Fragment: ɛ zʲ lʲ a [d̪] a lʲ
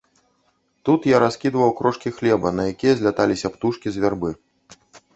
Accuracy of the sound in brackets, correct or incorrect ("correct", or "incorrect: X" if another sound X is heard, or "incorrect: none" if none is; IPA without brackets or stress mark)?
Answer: incorrect: t̪